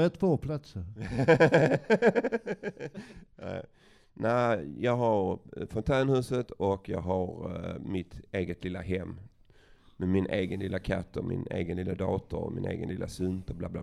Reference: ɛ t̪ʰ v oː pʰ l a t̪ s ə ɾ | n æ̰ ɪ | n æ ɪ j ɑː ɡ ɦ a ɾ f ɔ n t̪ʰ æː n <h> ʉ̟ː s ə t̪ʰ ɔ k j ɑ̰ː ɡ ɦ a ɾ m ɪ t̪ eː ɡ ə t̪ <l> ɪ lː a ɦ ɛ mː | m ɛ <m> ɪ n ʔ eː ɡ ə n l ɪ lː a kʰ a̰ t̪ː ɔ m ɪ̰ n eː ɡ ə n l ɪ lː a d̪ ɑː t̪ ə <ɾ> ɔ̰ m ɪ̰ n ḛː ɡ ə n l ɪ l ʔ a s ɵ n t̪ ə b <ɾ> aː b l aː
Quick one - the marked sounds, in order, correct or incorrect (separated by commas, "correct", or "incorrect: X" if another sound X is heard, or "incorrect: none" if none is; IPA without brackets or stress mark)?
correct, correct, correct, correct, incorrect: l